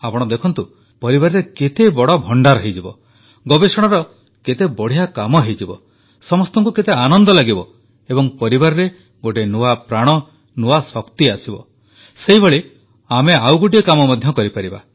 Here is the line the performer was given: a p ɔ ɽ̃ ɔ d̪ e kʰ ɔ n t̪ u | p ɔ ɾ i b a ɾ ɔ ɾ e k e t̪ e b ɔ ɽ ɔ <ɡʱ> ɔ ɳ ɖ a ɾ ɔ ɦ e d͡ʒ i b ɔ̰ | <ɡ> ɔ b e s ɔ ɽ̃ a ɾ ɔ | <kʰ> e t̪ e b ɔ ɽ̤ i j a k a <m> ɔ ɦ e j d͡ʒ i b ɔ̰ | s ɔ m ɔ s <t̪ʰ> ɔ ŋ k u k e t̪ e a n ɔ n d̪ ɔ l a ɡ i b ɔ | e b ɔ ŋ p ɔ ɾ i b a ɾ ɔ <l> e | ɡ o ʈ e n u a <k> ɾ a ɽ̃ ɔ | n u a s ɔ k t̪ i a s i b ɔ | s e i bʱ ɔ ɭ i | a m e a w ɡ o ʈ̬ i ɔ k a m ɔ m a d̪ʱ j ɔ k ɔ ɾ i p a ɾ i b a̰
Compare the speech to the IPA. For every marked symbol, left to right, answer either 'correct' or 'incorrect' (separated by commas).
incorrect, correct, incorrect, correct, incorrect, incorrect, incorrect